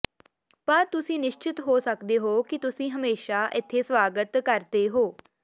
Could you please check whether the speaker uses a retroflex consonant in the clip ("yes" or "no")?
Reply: no